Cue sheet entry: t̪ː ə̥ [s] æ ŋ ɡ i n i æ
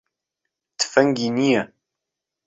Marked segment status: incorrect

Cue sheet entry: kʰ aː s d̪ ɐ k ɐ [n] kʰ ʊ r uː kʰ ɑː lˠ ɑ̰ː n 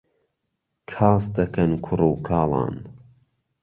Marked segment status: correct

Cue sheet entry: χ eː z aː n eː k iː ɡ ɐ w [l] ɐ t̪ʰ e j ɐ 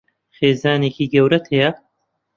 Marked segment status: incorrect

